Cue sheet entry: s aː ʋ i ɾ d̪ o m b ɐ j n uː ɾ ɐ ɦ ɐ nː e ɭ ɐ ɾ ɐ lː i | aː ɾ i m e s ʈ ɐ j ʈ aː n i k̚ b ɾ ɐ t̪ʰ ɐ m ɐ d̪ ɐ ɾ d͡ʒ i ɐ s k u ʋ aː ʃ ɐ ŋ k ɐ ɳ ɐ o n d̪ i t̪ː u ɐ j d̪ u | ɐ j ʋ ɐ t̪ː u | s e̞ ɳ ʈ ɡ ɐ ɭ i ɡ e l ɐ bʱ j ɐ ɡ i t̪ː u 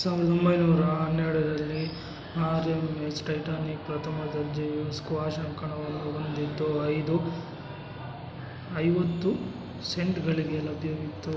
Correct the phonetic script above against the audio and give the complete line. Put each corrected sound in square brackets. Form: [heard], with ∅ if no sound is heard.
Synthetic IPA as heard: s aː ʋ i ɾ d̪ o m b ɐ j n uː ɾ ɐ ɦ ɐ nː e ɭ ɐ ɾ ɐ lː i | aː ɾ [e] m e s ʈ ɐ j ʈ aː n i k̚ [p] ɾ ɐ t̪ʰ ɐ m ɐ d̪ ɐ ɾ d͡ʒ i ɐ s k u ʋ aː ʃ ɐ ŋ k ɐ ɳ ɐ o n d̪ i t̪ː u ɐ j d̪ u | ɐ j ʋ ɐ t̪ː u | s e̞ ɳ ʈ ɡ ɐ ɭ i ɡ e l ɐ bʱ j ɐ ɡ i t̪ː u

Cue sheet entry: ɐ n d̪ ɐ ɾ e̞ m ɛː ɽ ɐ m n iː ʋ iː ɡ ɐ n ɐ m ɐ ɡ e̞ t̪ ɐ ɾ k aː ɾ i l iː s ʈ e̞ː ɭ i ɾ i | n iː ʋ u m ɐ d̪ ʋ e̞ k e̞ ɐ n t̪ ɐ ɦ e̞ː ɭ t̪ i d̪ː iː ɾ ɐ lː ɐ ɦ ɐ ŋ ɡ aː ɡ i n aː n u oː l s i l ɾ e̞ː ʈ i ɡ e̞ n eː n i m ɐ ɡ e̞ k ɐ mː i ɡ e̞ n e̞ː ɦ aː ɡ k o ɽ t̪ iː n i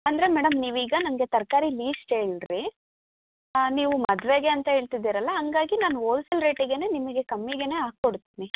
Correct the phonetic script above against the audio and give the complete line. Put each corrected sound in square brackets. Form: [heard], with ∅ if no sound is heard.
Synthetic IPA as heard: ɐ n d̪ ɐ ɾ e̞ m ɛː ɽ ɐ m n iː ʋ iː ɡ ɐ n ɐ m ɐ ɡ e̞ t̪ ɐ ɾ k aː ɾ i l iː s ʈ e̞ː ɭ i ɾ i | n iː ʋ u m ɐ d̪ ʋ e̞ [ɡ] e̞ ɐ n t̪ ɐ ɦ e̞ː ɭ t̪ i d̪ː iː ɾ ɐ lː ɐ ɦ ɐ ŋ ɡ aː ɡ i n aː n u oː l s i l ɾ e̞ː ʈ i ɡ e̞ n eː n i m ɐ ɡ e̞ k ɐ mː i ɡ e̞ n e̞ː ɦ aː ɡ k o ɽ t̪ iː n i

